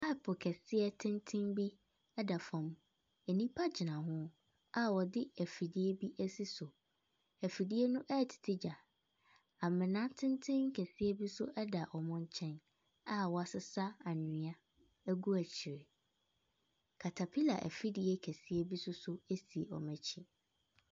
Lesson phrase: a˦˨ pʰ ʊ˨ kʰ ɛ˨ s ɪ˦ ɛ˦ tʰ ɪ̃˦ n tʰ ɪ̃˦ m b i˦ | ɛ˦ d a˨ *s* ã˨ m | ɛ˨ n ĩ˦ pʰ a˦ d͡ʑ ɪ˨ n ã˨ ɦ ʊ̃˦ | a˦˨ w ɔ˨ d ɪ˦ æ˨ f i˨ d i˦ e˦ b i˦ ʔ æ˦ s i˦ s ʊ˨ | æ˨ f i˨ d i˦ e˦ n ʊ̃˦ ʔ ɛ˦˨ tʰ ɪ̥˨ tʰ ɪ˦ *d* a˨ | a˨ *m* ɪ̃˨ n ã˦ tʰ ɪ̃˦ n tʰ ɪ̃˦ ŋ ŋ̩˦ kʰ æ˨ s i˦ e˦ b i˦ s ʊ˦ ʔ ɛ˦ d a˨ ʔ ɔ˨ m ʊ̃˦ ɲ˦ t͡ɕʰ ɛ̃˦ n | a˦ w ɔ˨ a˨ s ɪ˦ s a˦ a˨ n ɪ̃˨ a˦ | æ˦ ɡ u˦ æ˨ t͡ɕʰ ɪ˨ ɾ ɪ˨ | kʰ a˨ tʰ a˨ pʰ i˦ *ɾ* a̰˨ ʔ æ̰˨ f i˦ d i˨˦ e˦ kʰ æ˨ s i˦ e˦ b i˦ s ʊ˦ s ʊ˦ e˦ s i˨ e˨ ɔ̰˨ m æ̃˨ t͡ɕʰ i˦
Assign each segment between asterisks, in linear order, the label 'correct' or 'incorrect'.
incorrect: f, incorrect: d͡ʑ, correct, incorrect: l

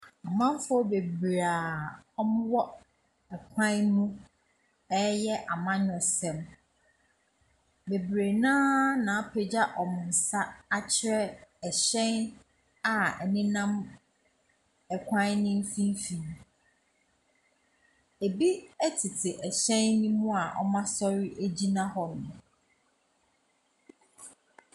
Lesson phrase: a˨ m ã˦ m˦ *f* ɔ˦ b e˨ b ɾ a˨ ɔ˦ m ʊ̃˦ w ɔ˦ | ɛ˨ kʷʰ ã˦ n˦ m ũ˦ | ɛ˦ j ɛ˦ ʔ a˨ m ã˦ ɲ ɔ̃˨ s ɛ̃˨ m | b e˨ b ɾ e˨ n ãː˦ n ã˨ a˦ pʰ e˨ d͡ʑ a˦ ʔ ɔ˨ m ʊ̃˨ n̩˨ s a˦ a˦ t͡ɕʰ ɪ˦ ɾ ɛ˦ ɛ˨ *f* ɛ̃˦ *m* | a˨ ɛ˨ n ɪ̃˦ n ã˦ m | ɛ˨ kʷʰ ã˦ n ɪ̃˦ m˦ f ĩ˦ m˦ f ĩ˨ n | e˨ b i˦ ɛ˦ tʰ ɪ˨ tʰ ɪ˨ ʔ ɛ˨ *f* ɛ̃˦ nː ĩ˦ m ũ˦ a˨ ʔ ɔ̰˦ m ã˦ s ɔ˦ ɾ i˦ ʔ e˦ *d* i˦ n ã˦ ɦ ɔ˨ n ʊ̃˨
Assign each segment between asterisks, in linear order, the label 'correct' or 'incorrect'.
correct, incorrect: ɕ, incorrect: n, incorrect: ɕ, incorrect: d͡ʑ

